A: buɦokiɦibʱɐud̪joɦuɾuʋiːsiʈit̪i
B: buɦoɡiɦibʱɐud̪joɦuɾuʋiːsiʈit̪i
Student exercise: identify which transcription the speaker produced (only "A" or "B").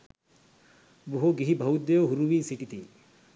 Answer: B